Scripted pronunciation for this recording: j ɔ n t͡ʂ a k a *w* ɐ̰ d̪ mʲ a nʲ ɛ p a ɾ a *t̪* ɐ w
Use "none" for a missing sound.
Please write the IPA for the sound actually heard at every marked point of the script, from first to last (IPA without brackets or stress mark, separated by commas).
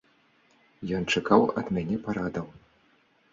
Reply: w, d̪